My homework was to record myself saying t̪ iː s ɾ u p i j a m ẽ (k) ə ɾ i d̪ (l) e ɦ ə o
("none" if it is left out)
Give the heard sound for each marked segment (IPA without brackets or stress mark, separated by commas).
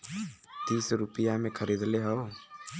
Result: kʰ, l